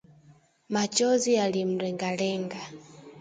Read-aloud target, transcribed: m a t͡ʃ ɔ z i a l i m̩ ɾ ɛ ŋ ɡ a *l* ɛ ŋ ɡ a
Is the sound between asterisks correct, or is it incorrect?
correct